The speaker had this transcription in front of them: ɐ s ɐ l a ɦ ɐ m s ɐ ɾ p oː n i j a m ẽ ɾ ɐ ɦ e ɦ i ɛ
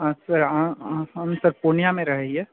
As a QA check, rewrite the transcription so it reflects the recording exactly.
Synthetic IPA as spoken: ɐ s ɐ ɾ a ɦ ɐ m s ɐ ɾ p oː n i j a m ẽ ɾ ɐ ɦ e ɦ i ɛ